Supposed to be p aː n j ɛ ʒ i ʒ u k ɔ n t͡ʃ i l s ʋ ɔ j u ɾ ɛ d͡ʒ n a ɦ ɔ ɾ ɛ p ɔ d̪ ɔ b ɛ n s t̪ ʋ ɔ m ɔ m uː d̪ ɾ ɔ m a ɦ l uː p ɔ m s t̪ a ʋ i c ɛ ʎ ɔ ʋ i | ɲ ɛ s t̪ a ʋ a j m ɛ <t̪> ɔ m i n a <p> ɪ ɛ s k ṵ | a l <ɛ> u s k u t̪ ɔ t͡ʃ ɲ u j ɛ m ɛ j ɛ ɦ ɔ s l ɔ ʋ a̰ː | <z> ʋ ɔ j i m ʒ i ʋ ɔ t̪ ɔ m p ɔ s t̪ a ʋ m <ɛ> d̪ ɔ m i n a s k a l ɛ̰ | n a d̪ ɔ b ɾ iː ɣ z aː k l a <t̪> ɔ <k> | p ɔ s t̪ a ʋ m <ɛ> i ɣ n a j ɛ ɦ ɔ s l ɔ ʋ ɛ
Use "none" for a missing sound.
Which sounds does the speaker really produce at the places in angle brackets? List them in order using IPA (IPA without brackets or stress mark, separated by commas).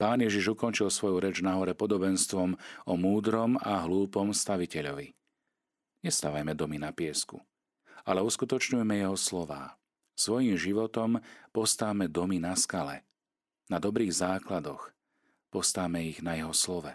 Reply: d̪, p, ɛ, s, ɛ, d̪, x, ɛ